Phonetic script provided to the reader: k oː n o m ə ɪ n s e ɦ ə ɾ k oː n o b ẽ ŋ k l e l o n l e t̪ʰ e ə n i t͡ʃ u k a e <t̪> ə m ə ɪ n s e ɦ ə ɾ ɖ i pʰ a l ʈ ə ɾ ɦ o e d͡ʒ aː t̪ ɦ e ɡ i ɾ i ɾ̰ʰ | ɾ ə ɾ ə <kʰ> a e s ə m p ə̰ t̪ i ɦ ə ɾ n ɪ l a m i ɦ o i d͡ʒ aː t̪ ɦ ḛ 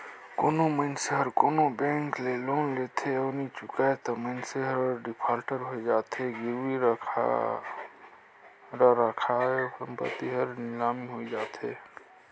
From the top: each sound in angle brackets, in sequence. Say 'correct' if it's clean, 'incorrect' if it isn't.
correct, correct

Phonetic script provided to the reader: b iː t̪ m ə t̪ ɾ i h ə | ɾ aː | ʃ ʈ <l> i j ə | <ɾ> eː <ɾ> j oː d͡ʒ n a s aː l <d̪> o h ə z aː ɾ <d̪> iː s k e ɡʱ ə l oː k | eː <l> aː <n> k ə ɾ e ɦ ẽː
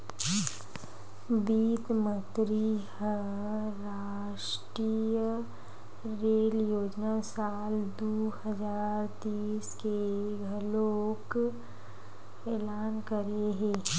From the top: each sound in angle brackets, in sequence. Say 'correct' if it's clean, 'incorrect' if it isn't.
incorrect: ɾ, correct, incorrect: l, correct, incorrect: t̪, correct, correct

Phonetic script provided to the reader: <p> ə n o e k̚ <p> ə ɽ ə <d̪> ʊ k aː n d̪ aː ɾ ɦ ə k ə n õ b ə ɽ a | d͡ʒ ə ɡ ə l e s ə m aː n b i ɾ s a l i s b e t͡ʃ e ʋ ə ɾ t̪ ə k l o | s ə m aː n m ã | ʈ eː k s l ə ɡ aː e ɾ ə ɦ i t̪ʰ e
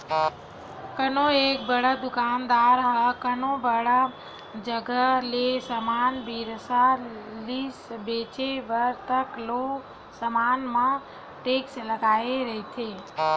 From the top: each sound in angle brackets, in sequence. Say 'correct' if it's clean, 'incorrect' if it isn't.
incorrect: k, incorrect: b, correct

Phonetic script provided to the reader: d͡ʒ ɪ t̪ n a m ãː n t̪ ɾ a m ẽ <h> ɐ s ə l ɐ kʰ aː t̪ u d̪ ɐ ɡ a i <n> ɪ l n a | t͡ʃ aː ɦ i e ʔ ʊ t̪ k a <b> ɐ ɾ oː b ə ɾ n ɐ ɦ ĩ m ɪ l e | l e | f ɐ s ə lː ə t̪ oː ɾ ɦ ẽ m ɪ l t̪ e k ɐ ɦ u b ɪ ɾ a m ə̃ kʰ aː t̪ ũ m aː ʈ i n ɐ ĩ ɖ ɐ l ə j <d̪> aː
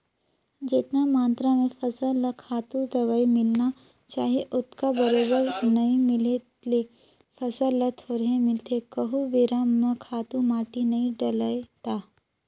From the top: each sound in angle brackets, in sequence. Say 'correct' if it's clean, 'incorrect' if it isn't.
incorrect: f, incorrect: m, correct, incorrect: t̪

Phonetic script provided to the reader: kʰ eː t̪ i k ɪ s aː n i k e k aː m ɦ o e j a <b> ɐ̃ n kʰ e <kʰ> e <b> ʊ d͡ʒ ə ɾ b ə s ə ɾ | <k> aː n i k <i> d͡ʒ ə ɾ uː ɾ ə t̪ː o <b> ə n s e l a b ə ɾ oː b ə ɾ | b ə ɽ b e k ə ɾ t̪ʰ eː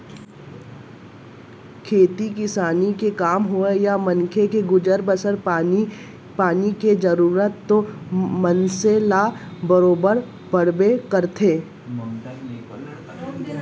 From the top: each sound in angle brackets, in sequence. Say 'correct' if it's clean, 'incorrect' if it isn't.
incorrect: m, incorrect: k, incorrect: ɡ, incorrect: p, incorrect: e, incorrect: m

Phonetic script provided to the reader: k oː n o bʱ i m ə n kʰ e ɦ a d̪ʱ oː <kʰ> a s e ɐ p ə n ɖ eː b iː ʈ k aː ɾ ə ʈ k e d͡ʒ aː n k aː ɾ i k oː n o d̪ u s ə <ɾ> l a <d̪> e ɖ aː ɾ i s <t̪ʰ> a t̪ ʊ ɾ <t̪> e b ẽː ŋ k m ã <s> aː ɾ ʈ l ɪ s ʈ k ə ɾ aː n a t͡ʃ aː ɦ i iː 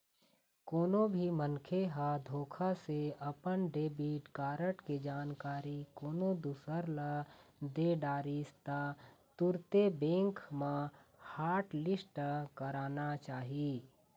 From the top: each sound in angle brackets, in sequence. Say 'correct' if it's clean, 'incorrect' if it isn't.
correct, correct, correct, incorrect: t̪, correct, incorrect: h

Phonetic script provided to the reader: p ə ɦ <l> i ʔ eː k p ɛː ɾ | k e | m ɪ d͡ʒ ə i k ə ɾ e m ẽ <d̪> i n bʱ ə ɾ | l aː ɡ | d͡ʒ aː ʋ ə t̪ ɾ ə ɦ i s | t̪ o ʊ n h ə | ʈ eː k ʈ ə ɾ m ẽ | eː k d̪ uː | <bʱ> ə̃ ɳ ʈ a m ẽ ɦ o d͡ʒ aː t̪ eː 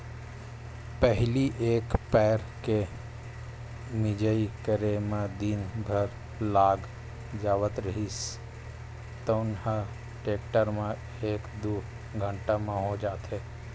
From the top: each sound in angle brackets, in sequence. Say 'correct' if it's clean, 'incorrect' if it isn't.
correct, correct, incorrect: ɡʱ

